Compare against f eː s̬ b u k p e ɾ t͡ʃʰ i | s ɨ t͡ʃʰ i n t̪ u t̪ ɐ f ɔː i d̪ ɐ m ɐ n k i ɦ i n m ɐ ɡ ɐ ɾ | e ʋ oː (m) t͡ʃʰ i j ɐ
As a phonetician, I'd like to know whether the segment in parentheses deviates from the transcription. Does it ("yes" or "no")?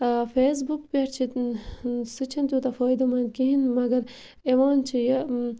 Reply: yes